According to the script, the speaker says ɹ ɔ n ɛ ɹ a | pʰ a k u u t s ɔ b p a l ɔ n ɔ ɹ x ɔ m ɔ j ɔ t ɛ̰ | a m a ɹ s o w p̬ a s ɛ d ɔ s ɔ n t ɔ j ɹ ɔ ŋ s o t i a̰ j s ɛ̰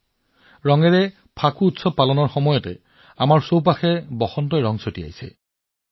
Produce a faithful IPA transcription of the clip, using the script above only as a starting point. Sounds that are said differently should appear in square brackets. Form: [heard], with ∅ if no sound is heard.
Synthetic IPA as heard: ɹ ɔ [ŋ] ɛ ɹ [ɛ] | pʰ a k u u t s ɔ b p a l ɔ n ɔ ɹ x ɔ m ɔ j ɔ t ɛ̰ | a m a ɹ s o w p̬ a [x] ɛ [b] ɔ [x] ɔ n t ɔ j ɹ ɔ ŋ s o t i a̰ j s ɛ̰